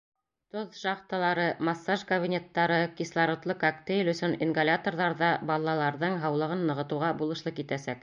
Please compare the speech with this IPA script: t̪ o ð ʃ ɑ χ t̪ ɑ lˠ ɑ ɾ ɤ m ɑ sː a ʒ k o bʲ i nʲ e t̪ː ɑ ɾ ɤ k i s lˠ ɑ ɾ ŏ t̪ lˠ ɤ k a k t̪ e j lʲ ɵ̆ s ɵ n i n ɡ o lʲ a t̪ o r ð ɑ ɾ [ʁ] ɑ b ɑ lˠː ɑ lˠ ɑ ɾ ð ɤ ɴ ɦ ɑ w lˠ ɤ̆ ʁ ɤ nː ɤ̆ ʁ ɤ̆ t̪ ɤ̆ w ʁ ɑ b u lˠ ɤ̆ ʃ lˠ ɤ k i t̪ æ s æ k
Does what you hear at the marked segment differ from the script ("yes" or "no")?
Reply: yes